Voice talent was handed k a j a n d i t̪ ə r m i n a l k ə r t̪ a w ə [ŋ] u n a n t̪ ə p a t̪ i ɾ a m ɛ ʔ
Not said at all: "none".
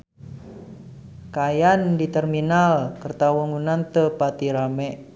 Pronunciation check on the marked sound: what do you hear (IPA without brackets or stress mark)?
ŋ